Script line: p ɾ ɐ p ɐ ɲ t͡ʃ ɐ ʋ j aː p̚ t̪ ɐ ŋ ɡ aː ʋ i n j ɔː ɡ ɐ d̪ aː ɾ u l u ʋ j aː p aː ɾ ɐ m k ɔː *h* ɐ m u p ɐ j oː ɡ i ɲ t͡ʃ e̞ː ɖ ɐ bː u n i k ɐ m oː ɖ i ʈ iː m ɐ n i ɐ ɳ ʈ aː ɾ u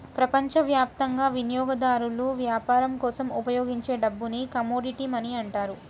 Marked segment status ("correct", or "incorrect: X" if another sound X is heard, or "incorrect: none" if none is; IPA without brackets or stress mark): incorrect: s